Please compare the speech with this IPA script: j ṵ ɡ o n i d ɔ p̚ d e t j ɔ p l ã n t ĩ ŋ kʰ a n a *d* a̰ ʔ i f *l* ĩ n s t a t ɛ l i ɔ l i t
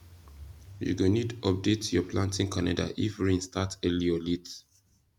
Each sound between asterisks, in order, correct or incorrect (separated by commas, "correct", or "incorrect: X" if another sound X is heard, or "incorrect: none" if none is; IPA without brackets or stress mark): correct, incorrect: ɹ